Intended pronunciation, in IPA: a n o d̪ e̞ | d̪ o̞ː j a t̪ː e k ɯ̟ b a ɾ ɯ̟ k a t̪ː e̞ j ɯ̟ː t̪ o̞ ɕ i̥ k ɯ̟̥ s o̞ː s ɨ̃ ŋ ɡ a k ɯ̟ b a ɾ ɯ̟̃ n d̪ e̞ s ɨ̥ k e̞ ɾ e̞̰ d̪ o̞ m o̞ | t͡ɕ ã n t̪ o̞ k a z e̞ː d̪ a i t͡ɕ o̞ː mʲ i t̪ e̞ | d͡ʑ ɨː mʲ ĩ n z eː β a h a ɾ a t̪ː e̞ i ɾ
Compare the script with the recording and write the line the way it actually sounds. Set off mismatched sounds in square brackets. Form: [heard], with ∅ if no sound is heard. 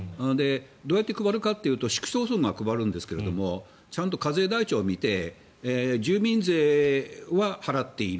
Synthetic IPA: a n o d̪ e̞ | d̪ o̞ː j a t̪ː e k ɯ̟ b a ɾ ɯ̟ k a t̪ː e̞ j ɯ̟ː t̪ o̞ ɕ i̥ k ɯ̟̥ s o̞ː s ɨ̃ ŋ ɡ a k ɯ̟ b a ɾ ɯ̟̃ n d̪ e̞ s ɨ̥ k e̞ ɾ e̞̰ d̪ o̞ m o̞ | t͡ɕ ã n t̪ o̞ k a z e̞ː d̪ a i t͡ɕ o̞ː mʲ i t̪ e̞ | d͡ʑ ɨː mʲ ĩ n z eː β a h a ɾ a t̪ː e̞ i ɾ